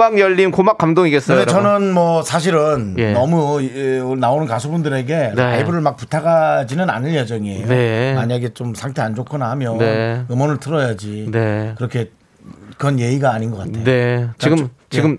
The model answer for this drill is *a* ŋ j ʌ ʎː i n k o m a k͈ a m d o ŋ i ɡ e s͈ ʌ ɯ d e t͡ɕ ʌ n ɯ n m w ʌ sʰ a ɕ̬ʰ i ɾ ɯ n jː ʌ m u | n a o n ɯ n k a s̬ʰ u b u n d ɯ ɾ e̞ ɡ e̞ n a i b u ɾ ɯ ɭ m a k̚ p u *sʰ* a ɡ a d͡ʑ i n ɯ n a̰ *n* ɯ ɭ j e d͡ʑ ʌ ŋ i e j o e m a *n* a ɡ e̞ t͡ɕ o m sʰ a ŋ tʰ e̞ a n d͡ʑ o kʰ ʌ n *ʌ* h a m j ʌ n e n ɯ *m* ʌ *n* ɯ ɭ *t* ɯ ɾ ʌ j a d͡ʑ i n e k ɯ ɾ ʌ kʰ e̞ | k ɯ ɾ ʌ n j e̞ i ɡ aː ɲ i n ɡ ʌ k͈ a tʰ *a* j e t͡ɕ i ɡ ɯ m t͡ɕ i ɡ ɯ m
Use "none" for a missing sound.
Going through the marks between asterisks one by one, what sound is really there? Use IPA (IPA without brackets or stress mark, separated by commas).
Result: a, tʰ, n, ɲ, a, m, n, tʰ, e